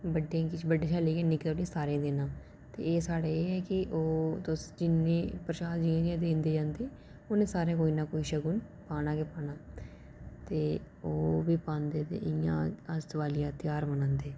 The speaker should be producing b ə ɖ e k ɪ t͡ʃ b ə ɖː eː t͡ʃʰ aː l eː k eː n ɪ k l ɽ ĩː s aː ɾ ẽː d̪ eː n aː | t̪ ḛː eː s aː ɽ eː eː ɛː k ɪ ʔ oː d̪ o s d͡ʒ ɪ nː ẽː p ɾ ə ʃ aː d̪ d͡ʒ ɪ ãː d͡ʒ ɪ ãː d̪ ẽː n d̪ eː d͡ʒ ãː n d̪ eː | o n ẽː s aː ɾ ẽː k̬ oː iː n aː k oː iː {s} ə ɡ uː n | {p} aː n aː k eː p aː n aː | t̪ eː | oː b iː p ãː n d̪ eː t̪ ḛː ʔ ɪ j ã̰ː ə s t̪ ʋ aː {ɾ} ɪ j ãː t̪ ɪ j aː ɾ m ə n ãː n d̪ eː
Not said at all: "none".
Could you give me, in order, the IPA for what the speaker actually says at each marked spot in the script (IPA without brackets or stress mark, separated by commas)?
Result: ʃ, p, l